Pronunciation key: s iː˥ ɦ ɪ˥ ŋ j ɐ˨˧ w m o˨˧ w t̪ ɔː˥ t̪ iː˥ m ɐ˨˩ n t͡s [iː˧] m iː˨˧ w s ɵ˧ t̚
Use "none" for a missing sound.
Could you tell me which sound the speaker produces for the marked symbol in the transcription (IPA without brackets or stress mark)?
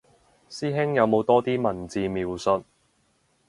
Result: iː˧